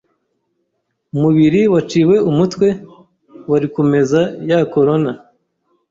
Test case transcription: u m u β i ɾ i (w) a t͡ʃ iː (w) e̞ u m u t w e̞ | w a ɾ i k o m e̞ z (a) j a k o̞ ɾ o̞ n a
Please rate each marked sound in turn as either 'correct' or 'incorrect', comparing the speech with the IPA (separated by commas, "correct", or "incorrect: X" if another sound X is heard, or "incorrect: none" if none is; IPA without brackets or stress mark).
correct, correct, correct